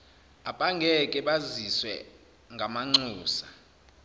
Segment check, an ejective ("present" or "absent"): present